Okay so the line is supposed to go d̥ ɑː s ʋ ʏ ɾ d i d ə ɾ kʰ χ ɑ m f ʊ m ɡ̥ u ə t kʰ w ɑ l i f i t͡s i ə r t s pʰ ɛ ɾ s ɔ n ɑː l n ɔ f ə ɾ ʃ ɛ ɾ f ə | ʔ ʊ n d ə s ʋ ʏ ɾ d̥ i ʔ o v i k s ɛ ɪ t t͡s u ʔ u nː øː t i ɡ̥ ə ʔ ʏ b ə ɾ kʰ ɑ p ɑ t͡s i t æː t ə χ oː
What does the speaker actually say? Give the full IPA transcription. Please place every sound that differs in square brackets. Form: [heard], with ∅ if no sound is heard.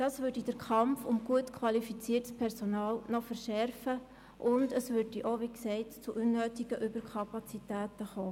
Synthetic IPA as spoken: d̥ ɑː s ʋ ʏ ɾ d i d ə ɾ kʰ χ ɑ m f ʊ m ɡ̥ u ə t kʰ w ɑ l i f i t͡s i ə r t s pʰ ɛ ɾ s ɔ n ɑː l n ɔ f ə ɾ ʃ ɛ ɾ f ə | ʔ ʊ n d ə s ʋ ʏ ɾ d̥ i ʔ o [ʋ] i k s ɛ ɪ t t͡s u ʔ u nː øː t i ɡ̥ ə ʔ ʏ b ə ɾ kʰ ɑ p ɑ t͡s i t æː t ə χ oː